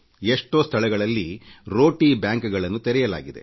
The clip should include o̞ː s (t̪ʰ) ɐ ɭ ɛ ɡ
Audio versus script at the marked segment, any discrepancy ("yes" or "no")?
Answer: no